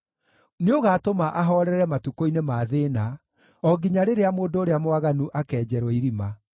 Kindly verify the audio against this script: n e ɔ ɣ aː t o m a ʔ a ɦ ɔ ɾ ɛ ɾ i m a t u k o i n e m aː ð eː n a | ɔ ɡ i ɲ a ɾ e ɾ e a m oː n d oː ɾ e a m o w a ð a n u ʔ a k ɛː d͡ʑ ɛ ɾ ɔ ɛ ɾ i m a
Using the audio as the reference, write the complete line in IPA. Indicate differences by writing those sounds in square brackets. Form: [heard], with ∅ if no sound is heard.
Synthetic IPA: n e [o] ɣ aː t o m a ʔ a ɦ ɔ ɾ ɛ ɾ [ɛ] m a t u k o i n e m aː ð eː n a | ɔ ɡ i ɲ a ɾ e ɾ e a m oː n d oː ɾ e a m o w a [ɣ] a n u ʔ a k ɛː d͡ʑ ɛ ɾ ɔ [i] ɾ i m a